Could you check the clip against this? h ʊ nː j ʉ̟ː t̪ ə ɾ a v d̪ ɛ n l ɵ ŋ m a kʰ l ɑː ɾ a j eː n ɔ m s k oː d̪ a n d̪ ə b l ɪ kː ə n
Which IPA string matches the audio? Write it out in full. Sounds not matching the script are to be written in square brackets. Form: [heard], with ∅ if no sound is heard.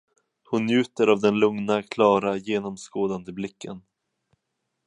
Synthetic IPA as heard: h ʊ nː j ʉ̟ː t̪ ə ɾ a v d̪ ɛ n l ɵ ŋ [n] a kʰ l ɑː ɾ a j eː n ɔ m s k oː d̪ a n d̪ ə b l ɪ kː ə n